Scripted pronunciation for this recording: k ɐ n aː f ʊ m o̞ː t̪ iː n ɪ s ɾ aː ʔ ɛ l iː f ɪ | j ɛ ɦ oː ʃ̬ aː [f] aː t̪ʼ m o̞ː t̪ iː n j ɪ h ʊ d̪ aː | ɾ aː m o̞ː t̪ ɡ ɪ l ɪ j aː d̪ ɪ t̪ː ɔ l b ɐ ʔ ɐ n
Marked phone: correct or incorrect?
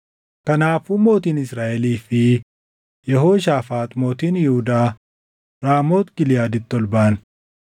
correct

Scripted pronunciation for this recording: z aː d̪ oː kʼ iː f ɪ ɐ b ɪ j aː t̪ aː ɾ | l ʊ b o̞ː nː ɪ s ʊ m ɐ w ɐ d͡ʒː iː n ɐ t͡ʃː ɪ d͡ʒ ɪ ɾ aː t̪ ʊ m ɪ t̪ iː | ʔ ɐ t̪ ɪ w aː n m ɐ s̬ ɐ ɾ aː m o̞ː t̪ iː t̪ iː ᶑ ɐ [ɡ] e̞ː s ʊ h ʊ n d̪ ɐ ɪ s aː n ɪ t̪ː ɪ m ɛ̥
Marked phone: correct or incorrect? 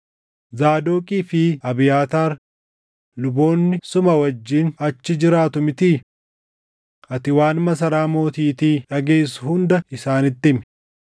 correct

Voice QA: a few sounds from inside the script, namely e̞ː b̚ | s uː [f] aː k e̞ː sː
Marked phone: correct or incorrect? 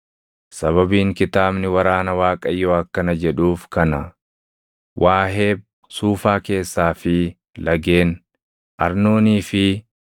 correct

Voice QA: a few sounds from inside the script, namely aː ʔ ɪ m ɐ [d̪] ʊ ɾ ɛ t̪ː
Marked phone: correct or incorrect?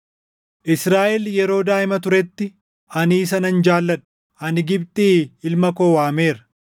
incorrect: t̪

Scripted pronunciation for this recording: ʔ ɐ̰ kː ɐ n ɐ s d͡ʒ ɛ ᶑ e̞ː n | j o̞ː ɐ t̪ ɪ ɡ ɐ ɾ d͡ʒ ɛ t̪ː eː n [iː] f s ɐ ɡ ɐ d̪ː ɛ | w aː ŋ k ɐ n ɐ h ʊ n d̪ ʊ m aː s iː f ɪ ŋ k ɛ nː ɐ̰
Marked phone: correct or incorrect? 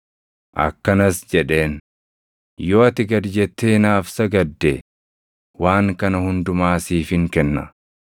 incorrect: aː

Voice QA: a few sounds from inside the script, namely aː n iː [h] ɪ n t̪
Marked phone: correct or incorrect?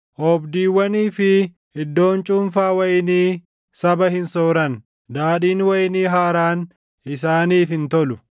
incorrect: f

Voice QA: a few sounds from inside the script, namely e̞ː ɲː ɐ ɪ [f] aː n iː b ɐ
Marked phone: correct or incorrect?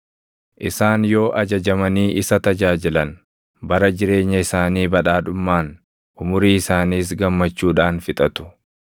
incorrect: s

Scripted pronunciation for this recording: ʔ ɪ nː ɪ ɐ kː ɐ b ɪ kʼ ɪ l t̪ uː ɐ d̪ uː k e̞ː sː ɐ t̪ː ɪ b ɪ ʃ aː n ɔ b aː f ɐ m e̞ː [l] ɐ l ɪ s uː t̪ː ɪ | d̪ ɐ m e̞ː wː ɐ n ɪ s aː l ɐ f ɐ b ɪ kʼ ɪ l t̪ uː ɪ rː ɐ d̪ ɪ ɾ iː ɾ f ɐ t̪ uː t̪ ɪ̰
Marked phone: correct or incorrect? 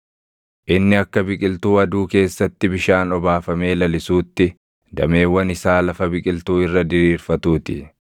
correct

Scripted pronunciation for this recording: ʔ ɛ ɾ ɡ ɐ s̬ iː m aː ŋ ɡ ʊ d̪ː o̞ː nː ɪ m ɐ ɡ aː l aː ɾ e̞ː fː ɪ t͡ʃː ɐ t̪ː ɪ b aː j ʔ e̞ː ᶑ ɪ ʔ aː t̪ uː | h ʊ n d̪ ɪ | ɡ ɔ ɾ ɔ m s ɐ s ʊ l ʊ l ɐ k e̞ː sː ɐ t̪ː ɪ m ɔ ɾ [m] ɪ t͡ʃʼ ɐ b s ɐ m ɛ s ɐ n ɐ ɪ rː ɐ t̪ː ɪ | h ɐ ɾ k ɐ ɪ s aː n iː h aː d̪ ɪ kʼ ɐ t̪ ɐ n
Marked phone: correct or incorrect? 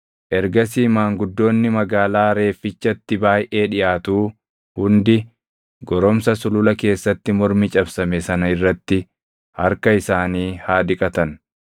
correct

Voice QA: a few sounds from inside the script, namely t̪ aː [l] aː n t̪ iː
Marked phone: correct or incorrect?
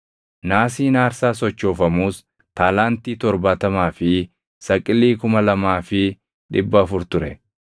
correct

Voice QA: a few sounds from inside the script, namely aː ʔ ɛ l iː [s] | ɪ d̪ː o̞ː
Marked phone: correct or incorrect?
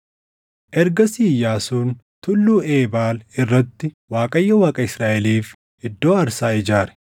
incorrect: f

